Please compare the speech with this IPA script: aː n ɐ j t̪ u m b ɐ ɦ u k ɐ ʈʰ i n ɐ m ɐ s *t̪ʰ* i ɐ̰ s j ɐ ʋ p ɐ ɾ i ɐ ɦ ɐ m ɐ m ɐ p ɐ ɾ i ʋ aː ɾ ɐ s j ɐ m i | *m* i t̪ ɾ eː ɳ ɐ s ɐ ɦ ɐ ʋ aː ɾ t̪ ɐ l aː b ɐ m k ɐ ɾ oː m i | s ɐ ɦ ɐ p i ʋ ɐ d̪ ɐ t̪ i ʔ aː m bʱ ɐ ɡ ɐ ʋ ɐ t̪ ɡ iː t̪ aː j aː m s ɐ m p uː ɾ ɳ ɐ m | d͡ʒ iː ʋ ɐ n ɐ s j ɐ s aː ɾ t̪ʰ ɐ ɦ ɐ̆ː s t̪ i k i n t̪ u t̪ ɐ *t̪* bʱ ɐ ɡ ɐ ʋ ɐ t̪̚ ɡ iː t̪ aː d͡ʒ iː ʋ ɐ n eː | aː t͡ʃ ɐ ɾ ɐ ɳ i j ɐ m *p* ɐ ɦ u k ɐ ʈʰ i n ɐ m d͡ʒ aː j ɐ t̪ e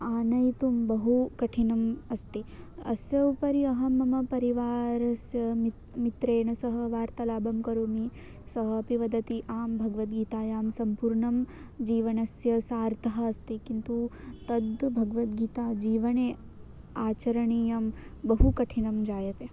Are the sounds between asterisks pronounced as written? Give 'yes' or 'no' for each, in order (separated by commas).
no, yes, no, no